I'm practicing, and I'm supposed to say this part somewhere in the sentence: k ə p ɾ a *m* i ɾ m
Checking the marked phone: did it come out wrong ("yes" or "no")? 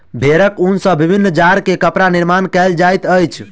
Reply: yes